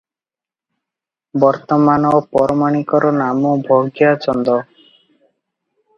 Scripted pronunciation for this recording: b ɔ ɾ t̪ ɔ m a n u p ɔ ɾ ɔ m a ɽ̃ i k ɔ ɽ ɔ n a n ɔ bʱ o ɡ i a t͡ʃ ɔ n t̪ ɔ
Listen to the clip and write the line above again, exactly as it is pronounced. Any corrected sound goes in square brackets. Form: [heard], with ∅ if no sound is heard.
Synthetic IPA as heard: b ɔ ɾ t̪ ɔ m a n [ɔ] p ɔ ɾ ɔ m a ɽ̃ i k ɔ [ɾ] ɔ n a [m] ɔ bʱ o ɡ [j] a t͡ʃ ɔ n [d̪] ɔ